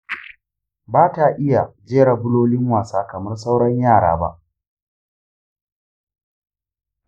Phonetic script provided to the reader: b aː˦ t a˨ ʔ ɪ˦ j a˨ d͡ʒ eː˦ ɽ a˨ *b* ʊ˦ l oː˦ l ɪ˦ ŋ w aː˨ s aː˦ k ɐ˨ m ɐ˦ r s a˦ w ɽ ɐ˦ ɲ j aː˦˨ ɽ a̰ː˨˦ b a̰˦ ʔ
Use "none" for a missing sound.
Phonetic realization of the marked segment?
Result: b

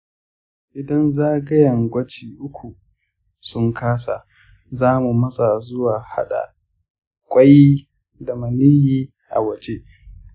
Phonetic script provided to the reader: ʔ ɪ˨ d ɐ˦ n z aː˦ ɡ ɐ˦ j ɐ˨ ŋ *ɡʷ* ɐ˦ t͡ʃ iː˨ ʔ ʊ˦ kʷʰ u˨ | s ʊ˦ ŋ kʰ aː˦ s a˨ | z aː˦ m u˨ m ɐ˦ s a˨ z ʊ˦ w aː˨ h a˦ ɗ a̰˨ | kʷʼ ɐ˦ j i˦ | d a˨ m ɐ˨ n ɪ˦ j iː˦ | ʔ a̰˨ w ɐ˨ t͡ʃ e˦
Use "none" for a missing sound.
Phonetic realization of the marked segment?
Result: ɡʷ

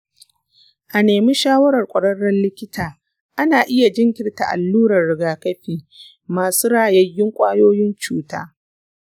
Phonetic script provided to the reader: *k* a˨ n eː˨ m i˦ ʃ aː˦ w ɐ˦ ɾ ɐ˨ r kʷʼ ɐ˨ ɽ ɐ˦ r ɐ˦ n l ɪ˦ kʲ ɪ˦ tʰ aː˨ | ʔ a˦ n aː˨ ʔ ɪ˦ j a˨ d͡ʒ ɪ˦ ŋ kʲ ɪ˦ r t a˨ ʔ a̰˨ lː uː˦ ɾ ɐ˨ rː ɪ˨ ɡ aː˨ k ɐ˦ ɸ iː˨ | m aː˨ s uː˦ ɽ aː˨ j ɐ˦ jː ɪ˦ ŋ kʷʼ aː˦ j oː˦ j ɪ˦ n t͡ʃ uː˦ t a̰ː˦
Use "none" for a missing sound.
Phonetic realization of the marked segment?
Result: ʔ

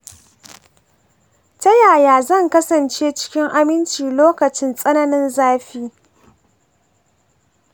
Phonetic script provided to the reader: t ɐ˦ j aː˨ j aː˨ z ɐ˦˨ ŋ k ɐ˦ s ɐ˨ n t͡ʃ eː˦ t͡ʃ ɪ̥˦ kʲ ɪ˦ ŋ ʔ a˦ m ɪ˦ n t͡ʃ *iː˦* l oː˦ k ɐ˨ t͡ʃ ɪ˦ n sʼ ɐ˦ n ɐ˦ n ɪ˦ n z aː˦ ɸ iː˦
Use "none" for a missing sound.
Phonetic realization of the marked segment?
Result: iː˨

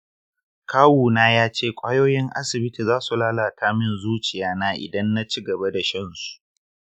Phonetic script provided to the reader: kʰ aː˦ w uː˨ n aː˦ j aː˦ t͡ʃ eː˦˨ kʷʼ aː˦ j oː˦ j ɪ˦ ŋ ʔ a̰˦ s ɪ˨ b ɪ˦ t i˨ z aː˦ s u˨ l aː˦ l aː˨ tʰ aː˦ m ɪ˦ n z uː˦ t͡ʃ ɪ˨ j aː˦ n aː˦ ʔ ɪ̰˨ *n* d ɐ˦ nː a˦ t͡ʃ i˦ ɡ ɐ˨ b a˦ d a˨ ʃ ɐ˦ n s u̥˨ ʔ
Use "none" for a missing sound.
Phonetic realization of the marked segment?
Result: none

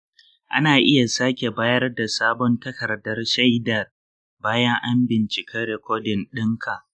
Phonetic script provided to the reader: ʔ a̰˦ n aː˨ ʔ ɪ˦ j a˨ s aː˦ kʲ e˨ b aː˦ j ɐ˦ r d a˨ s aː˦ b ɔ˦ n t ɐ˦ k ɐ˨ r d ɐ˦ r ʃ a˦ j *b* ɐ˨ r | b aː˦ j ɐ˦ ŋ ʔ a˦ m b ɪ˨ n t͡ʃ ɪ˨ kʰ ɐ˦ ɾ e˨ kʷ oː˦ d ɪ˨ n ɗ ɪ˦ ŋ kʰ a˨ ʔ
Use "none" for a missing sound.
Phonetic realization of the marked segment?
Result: d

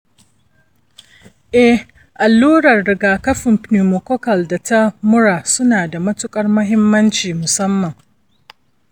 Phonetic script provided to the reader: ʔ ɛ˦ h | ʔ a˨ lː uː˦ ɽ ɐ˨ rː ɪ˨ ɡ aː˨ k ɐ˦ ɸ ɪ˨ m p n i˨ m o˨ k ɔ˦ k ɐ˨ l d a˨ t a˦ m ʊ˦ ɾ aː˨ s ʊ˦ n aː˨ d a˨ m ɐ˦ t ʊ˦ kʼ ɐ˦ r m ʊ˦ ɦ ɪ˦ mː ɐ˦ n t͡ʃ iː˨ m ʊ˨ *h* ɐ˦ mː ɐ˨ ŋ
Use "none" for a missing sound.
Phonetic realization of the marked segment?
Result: s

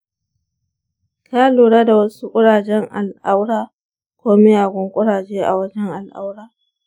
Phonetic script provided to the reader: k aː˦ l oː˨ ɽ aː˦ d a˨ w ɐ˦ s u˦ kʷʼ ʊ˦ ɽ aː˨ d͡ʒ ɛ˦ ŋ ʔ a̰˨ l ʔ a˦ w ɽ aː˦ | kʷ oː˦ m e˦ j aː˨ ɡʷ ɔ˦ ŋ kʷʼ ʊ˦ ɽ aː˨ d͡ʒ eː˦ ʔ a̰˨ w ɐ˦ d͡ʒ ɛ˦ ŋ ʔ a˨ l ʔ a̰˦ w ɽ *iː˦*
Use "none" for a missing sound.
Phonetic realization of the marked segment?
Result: aː˦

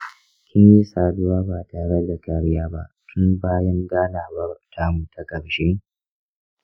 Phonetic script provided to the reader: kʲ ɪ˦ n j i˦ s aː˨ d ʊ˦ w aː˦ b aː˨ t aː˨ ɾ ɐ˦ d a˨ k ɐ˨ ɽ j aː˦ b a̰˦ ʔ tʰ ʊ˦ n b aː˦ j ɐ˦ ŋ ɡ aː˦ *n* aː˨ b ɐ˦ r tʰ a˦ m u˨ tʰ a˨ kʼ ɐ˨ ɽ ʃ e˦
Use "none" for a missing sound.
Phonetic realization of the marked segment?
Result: n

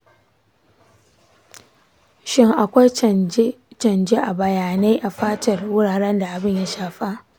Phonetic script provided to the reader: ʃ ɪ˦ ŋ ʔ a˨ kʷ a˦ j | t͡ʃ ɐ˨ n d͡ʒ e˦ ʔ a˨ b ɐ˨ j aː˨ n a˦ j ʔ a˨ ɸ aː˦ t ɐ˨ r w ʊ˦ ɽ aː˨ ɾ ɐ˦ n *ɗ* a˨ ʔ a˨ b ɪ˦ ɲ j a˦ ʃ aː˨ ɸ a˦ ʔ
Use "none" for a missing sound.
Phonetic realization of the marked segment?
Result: d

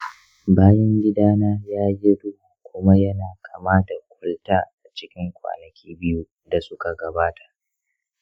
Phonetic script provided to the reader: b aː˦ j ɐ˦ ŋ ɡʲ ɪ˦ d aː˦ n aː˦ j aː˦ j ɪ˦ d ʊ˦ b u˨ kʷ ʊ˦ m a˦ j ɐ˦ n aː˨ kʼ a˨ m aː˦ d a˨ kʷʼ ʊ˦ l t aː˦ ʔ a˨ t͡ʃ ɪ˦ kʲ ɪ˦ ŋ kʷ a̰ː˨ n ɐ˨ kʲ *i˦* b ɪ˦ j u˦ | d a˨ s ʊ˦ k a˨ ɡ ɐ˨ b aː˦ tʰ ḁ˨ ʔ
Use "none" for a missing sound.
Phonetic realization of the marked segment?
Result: iː˦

